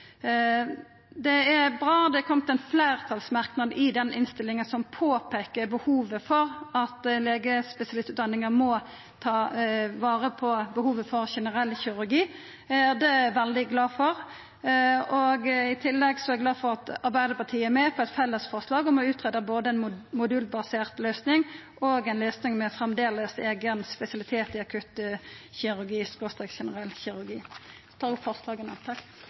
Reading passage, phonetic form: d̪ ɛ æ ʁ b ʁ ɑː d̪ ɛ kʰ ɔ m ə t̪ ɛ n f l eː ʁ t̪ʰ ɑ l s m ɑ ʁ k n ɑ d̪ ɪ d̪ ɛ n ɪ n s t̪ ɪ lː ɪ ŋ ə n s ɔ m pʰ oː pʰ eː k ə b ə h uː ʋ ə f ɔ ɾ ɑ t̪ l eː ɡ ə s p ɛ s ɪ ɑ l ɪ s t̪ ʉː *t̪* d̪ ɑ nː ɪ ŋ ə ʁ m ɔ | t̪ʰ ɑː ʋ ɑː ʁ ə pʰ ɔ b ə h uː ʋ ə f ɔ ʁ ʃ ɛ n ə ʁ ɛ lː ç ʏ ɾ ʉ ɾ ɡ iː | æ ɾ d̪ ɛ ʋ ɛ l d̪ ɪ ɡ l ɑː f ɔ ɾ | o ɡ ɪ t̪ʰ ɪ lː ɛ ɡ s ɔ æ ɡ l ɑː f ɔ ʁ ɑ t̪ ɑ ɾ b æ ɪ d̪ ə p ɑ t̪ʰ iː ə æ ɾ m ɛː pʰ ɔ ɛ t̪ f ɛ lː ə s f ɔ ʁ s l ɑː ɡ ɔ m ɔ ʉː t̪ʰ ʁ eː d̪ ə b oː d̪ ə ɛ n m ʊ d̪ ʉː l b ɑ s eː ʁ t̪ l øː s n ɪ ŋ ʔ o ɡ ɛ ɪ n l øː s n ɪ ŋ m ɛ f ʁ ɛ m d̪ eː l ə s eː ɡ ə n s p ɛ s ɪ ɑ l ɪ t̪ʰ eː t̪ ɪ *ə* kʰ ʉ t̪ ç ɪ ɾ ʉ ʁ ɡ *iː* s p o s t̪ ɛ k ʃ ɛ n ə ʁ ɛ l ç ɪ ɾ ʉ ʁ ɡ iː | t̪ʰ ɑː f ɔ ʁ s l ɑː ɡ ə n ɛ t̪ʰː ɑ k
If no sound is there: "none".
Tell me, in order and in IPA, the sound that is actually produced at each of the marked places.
t̪, ɑ, iː

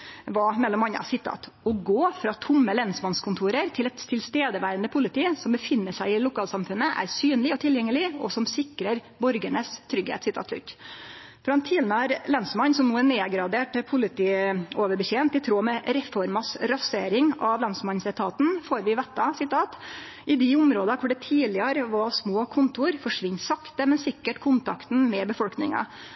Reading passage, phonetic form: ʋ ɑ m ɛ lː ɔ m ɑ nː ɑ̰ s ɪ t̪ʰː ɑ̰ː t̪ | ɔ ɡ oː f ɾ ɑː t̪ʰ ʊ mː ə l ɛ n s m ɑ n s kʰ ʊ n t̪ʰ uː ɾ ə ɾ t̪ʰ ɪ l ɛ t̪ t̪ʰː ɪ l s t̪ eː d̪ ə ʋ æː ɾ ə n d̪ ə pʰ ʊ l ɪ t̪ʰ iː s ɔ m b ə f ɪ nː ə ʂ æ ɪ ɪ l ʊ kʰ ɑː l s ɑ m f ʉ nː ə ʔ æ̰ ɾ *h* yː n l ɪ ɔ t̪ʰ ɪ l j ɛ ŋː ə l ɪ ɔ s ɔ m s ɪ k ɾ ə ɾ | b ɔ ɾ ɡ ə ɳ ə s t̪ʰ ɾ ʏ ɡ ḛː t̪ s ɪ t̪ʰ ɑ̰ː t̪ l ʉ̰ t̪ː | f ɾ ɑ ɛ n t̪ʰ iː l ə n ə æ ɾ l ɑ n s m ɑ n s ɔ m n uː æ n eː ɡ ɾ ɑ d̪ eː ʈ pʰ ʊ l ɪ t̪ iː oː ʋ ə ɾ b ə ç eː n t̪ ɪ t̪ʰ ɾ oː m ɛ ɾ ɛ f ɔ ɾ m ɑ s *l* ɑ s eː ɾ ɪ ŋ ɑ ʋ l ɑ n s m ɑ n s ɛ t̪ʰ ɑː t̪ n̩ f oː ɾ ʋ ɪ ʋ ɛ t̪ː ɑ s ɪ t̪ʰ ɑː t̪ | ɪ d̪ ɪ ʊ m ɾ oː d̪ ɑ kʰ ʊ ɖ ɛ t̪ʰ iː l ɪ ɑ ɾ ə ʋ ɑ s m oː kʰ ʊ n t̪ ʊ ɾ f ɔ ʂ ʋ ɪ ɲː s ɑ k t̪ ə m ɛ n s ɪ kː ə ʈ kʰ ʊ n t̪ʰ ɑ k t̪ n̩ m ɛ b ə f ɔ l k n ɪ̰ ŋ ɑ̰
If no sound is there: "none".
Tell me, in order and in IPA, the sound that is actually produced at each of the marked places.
s, ɾ

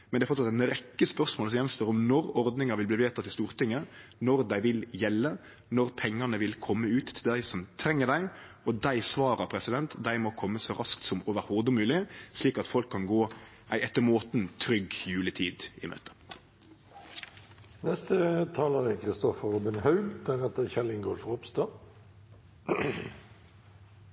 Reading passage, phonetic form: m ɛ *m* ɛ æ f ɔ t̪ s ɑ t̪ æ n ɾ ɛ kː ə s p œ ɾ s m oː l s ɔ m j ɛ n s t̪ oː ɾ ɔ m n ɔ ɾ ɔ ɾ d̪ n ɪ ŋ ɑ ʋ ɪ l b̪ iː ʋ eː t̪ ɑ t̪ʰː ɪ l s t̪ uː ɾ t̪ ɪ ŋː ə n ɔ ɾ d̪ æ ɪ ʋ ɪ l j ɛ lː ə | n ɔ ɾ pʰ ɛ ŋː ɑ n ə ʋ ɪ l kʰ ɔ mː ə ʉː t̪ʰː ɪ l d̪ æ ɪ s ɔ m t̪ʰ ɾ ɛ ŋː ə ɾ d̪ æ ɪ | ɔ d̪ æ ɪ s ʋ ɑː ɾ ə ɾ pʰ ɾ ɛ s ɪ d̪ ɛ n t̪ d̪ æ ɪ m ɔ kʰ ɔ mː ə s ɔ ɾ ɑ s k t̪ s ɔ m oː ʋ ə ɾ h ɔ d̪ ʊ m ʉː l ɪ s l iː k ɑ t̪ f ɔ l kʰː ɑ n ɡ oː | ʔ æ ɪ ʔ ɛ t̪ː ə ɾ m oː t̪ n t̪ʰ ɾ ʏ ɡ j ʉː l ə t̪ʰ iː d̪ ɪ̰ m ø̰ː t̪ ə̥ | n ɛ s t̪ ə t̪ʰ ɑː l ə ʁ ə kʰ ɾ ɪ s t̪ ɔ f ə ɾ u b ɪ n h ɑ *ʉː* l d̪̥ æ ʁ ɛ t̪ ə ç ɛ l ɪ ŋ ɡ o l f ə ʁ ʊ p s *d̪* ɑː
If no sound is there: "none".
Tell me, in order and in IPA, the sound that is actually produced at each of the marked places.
n, ʉ, t̪

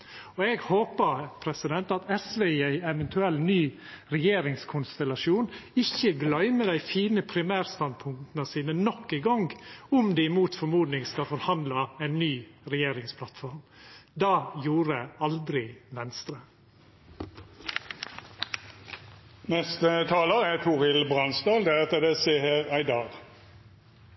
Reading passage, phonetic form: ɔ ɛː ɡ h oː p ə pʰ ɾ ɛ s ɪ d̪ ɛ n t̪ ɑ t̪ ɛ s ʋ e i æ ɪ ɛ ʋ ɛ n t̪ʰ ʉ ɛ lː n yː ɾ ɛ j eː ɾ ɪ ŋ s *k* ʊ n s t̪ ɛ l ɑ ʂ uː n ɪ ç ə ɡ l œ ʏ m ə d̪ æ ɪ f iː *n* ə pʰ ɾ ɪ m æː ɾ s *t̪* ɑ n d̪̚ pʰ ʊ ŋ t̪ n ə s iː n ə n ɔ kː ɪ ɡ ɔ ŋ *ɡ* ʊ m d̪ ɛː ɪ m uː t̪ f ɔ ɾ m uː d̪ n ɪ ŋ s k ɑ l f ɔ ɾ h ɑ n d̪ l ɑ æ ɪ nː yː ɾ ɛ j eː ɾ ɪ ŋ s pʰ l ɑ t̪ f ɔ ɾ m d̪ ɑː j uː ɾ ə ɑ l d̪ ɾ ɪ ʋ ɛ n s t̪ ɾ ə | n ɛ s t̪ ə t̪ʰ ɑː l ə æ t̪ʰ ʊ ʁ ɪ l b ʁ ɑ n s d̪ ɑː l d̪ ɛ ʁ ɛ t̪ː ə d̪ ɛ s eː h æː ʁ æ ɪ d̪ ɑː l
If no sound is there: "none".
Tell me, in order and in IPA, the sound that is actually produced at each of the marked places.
kʰ, n, t̪, ɡ

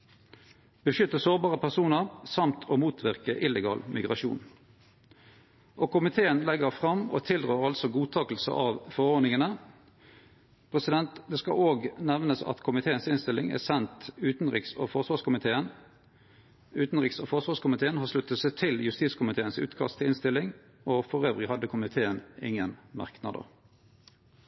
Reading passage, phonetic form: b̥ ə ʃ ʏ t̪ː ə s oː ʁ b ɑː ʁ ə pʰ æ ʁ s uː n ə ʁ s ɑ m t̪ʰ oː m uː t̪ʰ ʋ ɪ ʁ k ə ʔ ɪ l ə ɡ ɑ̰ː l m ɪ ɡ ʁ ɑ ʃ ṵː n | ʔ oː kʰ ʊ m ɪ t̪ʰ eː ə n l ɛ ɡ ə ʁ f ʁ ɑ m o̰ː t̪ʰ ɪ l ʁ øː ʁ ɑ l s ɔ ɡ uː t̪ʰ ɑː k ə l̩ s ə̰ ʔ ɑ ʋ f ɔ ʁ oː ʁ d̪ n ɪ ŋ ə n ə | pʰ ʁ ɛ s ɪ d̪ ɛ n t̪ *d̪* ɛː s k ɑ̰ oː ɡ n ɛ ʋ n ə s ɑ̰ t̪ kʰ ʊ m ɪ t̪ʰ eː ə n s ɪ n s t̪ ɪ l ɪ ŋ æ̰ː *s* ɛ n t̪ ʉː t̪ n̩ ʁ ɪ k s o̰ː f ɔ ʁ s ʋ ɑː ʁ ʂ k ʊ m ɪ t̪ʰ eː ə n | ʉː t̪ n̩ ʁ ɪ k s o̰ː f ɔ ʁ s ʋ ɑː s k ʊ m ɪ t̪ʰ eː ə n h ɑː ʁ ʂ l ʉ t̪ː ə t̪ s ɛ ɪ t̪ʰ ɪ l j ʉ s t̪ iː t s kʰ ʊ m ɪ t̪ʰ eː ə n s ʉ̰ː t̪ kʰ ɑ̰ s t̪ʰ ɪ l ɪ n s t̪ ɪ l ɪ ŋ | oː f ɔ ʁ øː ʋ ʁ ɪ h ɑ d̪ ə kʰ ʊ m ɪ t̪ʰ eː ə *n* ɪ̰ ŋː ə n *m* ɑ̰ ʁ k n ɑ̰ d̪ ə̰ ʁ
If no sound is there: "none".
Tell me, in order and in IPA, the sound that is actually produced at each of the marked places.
d̪, s, n, m

